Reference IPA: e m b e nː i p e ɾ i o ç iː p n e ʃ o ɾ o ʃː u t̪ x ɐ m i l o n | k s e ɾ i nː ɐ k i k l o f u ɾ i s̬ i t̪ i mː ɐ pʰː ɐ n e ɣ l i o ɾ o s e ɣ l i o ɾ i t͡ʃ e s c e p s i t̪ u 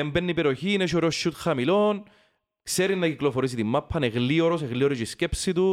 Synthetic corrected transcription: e m b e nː i p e ɾ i o ç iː n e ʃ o ɾ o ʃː u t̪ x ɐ m i l o n | k s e ɾ i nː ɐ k i k l o f o ɾ i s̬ i t̪ i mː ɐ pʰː ɐ n e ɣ l i o ɾ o s e ɣ l i o ɾ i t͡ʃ i s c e p s i t̪ u